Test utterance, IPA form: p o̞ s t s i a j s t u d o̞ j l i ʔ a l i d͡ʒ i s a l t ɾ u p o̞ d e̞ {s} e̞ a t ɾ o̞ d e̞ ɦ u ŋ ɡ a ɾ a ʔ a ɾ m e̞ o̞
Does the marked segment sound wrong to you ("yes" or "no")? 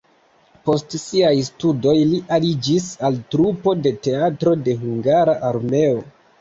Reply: yes